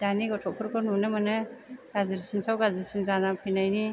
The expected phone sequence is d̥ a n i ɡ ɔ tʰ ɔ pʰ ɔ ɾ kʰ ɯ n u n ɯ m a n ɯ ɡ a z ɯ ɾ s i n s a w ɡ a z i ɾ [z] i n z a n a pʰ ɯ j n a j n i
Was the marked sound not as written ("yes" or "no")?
yes